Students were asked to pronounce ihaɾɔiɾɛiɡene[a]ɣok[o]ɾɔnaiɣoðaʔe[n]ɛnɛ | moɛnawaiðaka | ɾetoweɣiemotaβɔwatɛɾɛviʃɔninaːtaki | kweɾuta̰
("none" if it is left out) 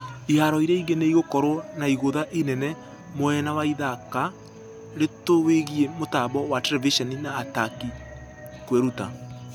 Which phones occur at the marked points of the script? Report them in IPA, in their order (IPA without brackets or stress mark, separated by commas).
i, ɔ, n